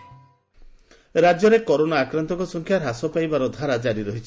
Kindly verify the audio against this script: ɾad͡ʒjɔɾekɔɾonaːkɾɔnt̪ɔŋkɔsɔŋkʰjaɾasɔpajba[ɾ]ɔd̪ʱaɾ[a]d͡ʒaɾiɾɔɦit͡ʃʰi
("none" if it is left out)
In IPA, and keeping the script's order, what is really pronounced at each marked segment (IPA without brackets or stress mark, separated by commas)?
ɾ, a